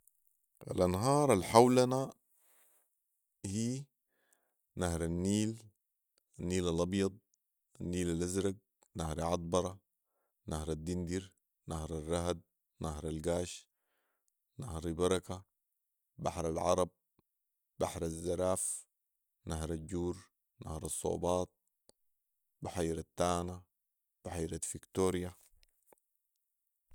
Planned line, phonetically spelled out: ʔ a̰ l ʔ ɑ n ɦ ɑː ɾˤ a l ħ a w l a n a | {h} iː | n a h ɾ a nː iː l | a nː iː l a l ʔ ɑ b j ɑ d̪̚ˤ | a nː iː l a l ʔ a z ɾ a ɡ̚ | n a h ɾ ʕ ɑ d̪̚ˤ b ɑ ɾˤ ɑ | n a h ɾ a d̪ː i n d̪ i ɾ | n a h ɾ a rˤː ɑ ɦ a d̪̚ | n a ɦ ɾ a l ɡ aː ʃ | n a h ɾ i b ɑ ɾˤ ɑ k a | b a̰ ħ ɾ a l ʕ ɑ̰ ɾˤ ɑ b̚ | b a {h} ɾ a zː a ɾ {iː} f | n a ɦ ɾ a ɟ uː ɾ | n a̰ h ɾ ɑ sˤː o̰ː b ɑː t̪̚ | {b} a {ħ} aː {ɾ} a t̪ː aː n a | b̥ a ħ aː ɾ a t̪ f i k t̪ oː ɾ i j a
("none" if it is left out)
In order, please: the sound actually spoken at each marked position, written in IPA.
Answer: h, ħ, aː, b, ħ, ɾ

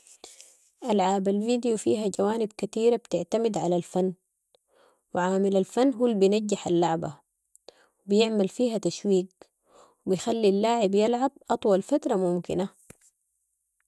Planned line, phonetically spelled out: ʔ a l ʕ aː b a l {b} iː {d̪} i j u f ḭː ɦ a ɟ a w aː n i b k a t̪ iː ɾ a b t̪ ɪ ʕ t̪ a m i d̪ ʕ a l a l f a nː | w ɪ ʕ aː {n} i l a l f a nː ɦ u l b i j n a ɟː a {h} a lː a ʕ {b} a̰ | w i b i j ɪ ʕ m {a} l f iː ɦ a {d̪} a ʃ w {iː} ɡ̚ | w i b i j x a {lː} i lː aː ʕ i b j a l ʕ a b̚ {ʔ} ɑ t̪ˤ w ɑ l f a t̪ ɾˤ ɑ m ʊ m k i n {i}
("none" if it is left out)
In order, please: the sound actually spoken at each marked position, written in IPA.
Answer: v, d̪, m, ħ, b, a, t̪, iː, lː, ʔ, a

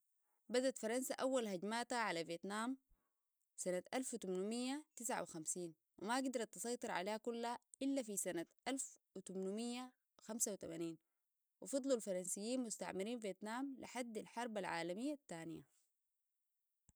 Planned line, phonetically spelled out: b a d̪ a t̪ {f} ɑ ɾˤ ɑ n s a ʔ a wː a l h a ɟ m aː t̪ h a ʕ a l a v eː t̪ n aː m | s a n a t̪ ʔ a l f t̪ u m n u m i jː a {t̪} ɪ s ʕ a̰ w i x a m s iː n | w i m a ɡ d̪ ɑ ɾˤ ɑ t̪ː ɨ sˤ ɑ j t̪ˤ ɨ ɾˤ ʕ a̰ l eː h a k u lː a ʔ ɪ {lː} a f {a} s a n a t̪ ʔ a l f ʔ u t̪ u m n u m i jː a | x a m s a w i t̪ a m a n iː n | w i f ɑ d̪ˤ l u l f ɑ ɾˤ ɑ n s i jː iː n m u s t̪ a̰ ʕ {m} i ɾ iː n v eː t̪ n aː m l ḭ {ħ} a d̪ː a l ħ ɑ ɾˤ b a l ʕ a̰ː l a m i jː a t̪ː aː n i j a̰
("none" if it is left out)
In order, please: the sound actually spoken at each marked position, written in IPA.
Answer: f, t̪, lː, i, m, ħ

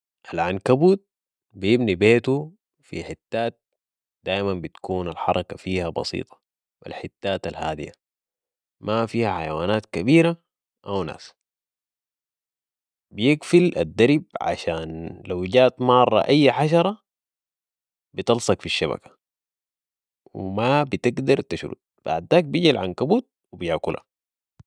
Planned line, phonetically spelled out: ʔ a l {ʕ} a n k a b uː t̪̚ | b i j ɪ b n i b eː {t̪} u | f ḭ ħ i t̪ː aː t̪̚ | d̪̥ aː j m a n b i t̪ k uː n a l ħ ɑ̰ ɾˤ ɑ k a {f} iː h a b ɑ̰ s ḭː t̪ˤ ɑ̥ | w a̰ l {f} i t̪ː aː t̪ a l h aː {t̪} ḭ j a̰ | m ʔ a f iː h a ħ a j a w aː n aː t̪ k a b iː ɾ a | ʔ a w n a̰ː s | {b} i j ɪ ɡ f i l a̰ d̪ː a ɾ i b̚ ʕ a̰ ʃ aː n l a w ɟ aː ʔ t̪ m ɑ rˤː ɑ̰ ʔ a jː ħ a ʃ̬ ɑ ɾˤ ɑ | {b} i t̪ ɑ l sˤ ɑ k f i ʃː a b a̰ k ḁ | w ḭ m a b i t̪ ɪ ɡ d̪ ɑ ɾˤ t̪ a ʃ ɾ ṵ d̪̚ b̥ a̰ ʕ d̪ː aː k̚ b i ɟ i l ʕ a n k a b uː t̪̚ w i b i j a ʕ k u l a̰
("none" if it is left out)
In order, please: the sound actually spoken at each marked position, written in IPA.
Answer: ʕ, t̪, f, ħ, d̪, b, b

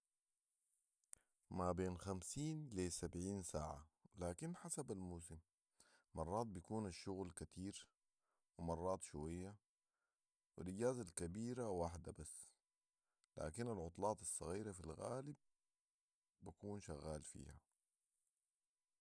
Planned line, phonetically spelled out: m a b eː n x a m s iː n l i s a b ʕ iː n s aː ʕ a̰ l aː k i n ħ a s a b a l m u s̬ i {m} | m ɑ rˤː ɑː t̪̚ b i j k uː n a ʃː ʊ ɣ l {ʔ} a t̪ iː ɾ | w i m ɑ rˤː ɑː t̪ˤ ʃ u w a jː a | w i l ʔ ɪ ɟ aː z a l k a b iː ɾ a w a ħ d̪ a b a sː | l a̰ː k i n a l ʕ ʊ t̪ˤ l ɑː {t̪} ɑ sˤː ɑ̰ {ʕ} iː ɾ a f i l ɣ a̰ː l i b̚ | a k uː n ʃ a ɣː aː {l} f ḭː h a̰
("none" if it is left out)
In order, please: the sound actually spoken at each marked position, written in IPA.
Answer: m, k, t̪, ɣ, l

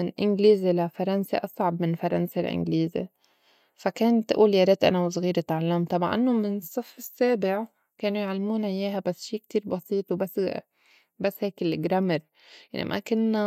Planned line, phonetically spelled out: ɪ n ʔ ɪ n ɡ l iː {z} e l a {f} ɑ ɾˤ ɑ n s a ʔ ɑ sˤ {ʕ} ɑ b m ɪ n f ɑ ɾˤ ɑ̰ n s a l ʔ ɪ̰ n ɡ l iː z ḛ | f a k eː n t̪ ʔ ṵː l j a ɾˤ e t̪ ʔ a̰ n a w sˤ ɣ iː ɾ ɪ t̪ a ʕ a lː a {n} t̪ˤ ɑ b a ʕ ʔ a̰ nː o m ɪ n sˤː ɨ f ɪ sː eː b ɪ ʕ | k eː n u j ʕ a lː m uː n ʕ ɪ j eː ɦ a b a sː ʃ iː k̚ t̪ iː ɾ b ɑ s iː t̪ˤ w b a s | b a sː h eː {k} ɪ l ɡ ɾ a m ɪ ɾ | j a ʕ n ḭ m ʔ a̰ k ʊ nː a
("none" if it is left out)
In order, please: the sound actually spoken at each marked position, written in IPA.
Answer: z, f, ʕ, m, k

